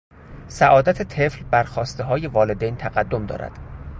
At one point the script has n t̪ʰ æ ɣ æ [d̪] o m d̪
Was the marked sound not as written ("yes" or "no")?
yes